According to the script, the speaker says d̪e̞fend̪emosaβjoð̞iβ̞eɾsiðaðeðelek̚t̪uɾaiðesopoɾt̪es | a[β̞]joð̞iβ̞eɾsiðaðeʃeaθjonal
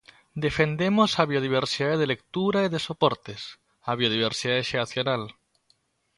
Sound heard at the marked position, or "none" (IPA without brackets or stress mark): β̞